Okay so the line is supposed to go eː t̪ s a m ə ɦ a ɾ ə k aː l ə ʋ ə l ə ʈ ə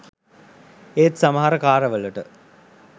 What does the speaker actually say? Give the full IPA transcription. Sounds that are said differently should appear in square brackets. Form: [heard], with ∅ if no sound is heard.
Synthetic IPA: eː t̪ s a m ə ɦ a ɾ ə k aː [ɾ] ə ʋ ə l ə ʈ ə